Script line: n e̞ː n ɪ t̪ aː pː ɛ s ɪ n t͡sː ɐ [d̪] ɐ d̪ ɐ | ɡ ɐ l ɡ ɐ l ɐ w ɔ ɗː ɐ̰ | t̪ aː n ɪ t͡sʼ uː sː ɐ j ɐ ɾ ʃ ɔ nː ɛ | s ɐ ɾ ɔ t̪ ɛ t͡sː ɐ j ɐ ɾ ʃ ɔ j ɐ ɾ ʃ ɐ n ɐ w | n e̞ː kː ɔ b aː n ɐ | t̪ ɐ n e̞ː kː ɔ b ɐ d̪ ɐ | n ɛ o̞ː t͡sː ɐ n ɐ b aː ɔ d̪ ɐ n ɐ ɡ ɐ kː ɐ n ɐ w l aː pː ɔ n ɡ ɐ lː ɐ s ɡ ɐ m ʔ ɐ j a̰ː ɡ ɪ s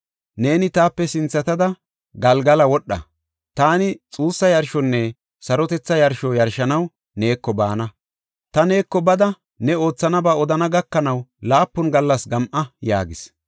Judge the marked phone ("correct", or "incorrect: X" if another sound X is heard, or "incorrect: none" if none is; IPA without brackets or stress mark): incorrect: t̪